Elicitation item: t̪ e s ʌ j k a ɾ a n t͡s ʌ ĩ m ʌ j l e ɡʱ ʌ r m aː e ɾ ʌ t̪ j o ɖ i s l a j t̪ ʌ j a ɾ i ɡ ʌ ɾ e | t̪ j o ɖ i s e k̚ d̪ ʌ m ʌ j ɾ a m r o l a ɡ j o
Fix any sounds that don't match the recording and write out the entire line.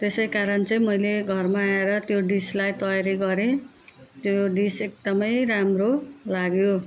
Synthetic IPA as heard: t̪ e s ʌ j k a ɾ ʌ n t͡s ʌ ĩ m ʌ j l e ɡʱ ʌ r m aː e ɾ ʌ t̪ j o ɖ i s l a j t̪ ʌ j a ɾ i ɡ ʌ ɾ e | t̪ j o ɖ i s e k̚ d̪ ʌ m ʌ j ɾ a m r o l a ɡ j o